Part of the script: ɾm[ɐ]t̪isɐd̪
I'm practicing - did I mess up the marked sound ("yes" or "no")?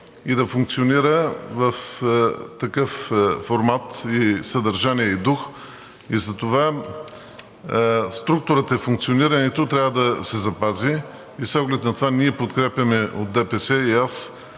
yes